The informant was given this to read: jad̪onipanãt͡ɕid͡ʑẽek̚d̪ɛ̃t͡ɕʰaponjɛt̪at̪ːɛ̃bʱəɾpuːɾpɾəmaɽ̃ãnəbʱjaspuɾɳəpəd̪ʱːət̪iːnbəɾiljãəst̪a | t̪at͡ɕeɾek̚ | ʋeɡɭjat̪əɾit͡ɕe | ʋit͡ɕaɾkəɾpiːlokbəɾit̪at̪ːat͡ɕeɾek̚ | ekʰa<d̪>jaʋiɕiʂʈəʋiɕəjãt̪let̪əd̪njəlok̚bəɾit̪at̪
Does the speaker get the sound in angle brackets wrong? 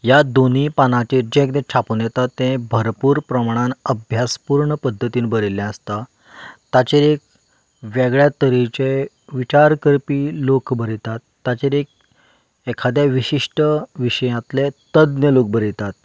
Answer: no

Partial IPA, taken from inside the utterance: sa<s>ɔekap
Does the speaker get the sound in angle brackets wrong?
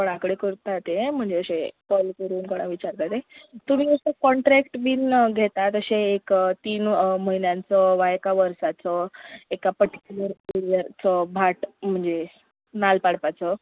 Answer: yes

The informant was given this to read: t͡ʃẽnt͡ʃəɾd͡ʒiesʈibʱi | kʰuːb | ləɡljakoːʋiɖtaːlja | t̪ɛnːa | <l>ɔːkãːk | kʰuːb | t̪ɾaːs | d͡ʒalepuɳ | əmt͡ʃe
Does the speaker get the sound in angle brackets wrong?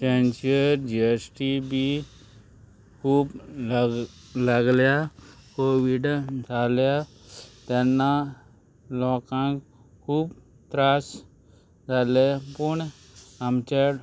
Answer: no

